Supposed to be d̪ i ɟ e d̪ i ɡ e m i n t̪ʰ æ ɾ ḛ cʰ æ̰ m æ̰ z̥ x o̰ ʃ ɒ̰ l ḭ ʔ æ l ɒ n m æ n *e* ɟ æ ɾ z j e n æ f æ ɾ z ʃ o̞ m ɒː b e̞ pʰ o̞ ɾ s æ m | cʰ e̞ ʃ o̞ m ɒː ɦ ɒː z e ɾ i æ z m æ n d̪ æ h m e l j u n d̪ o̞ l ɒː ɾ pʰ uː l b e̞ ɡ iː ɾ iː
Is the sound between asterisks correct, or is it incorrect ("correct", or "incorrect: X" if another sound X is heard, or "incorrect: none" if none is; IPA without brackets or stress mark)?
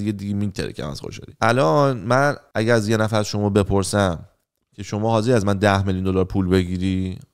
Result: incorrect: æ